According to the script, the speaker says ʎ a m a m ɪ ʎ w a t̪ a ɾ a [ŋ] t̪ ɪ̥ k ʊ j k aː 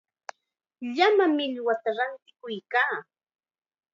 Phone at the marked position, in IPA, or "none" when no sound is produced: n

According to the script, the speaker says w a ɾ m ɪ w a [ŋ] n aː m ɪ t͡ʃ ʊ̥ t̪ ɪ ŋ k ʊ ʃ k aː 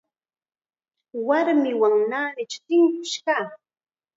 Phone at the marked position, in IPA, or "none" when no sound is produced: ŋ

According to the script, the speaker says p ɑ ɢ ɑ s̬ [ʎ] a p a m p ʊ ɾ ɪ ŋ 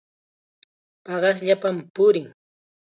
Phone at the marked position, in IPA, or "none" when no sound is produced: ʎ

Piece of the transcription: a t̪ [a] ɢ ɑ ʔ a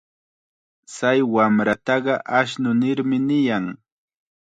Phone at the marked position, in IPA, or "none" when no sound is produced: ɑ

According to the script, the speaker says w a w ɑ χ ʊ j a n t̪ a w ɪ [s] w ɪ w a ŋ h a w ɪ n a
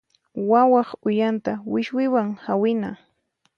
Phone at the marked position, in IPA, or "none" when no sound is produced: ʃ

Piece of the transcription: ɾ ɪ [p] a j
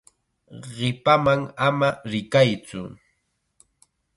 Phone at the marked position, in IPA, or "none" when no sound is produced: k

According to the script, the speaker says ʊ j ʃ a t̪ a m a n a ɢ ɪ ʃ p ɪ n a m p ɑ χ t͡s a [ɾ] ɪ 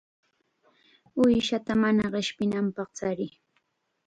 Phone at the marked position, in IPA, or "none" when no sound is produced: ɾ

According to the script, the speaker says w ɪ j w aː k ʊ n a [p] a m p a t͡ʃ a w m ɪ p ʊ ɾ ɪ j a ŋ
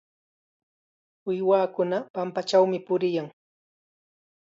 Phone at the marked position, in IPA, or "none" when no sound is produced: p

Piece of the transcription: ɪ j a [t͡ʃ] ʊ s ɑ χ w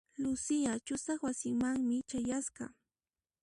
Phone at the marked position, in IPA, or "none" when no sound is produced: t͡ʃ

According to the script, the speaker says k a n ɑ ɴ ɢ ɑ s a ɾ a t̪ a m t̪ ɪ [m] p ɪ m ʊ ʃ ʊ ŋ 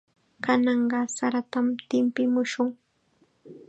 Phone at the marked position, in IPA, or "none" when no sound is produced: m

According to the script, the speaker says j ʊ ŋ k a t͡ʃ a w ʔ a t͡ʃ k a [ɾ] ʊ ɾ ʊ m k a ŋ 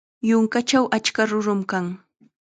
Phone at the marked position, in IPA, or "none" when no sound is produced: ɾ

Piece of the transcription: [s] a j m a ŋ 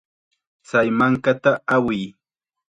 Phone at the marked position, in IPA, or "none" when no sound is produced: t͡s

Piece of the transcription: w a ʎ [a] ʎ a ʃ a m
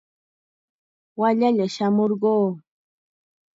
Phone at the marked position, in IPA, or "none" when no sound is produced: a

